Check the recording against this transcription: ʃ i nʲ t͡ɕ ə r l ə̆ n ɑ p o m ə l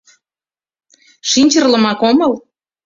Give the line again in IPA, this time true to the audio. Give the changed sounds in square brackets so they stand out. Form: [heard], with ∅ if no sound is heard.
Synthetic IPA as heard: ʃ i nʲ t͡ɕ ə r l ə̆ [m] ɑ [k] o m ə l